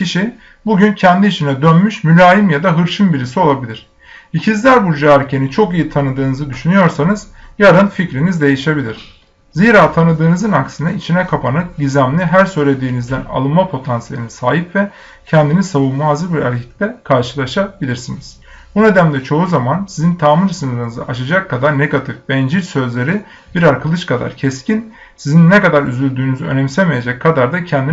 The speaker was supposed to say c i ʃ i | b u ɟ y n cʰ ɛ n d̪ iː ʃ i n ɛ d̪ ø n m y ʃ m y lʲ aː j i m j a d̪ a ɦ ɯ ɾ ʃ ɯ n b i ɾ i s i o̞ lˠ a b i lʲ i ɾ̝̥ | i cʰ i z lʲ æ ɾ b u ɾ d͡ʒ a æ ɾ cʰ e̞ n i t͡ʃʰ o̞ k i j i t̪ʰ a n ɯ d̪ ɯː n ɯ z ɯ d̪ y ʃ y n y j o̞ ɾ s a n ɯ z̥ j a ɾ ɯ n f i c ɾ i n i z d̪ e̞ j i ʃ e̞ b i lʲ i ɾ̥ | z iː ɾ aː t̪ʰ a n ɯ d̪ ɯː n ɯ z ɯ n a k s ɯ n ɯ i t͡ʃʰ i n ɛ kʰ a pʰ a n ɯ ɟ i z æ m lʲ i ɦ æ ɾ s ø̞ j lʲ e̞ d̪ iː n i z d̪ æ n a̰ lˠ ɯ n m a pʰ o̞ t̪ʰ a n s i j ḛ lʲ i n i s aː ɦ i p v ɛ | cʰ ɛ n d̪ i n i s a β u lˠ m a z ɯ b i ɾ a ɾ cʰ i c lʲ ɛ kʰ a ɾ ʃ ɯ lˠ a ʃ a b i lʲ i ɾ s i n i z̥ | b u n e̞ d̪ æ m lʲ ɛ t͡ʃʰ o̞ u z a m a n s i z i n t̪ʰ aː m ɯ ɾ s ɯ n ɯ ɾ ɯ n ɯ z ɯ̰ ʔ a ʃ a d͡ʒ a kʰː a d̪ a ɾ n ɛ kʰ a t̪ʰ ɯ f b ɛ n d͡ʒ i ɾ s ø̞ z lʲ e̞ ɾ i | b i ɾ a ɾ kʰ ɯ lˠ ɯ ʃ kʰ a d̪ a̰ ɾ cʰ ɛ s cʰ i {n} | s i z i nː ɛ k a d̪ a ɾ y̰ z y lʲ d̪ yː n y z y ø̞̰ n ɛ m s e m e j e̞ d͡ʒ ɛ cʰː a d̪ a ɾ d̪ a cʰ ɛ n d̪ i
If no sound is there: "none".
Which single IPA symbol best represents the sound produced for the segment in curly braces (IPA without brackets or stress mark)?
n